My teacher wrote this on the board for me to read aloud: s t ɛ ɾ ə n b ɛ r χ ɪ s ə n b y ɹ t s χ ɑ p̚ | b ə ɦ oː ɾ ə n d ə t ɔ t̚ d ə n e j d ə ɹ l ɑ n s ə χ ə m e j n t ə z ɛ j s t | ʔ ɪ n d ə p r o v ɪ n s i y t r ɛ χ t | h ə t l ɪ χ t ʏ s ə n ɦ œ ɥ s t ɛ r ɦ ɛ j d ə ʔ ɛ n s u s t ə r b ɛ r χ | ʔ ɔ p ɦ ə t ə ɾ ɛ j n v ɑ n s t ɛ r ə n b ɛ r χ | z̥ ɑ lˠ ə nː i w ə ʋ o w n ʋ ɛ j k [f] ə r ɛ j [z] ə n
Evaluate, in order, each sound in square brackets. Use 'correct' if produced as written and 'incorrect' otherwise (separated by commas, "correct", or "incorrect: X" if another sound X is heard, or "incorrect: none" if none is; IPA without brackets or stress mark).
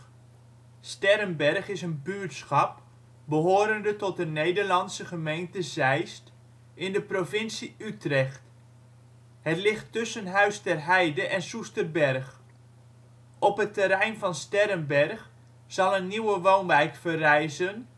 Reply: correct, correct